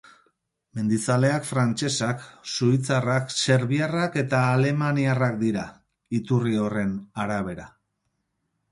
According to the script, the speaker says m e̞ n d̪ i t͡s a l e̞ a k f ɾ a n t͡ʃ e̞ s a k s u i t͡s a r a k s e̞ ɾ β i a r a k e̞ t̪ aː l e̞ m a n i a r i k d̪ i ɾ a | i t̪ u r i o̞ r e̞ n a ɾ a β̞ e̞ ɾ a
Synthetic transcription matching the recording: m e̞ n d̪ i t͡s a l e̞ a k f ɾ a n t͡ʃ e̞ s a k s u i t͡s a r a k s e̞ ɾ β i a r a k e̞ t̪ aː l e̞ m a n i a r a k d̪ i ɾ a | i t̪ u r i o̞ r e̞ n a ɾ a β̞ e̞ ɾ a

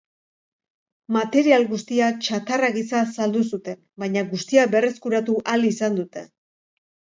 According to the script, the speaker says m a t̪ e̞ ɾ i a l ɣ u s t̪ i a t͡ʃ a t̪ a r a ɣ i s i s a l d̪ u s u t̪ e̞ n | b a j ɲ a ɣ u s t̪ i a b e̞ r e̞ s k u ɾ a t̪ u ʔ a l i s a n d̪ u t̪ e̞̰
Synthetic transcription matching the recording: m a t̪ e̞ ɾ i a l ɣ u s t̪ i a t͡ʃ a t̪ a r a ɣ i s a s a l d̪ u s u t̪ e̞ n | b a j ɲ a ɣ u s t̪ i a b e̞ r e̞ s k u ɾ a t̪ u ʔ a l i s a n d̪ u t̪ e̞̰

